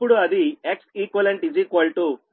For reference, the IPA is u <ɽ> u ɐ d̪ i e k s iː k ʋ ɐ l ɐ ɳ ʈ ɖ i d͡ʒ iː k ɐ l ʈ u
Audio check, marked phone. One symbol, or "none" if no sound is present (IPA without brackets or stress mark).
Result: ɽ